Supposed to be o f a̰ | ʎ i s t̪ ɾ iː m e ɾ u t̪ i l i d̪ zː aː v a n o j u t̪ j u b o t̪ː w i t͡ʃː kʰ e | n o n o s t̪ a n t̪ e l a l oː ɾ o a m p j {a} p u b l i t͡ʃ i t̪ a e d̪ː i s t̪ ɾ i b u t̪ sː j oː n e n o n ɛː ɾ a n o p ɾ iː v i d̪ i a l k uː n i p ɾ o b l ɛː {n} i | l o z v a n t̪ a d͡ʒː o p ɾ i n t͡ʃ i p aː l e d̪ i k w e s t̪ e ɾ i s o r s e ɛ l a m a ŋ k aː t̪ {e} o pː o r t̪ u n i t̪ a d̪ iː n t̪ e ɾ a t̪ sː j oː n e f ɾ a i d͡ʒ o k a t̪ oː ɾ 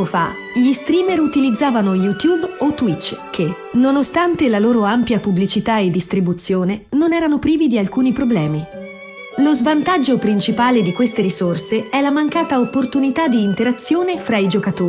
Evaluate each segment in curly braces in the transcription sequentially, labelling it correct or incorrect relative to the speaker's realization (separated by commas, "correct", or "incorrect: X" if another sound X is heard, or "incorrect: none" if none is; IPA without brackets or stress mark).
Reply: correct, incorrect: m, incorrect: a